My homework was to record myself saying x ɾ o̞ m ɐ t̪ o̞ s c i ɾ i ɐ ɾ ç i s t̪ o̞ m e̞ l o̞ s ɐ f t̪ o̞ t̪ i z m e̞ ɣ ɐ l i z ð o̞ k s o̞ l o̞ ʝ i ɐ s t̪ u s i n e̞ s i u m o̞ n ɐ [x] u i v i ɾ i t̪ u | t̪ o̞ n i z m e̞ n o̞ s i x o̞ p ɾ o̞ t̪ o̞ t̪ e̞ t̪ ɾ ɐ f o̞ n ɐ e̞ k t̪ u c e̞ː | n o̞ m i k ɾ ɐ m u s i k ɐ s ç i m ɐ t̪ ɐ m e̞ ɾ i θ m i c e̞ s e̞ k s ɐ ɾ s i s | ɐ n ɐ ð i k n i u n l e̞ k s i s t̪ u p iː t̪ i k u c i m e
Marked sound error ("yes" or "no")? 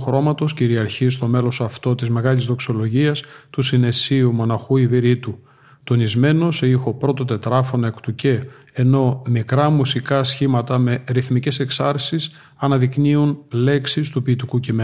no